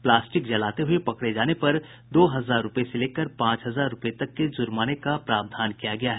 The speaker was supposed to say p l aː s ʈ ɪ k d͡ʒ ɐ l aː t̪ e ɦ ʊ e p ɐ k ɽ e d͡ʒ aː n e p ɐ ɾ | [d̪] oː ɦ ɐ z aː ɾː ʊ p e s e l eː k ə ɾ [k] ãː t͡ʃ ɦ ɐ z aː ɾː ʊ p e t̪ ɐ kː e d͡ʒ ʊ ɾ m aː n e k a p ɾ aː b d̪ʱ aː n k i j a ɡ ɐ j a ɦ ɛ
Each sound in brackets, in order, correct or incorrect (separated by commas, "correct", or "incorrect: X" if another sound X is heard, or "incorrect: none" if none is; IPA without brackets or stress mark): correct, incorrect: p